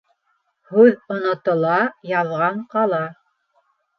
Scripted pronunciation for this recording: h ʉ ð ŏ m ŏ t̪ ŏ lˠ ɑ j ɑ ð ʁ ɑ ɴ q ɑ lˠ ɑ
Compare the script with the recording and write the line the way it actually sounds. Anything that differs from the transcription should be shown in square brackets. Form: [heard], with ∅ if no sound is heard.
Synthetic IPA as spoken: h ʉ ð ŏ [n] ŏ t̪ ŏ lˠ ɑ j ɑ ð ʁ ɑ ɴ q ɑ lˠ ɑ